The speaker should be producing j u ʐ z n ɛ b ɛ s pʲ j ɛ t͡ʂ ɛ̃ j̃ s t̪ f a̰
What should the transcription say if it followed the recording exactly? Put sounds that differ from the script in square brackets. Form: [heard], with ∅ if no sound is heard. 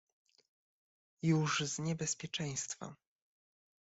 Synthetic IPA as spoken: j u ʐ z [ɲ] ɛ b ɛ s pʲ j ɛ t͡ʂ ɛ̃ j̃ s t̪ f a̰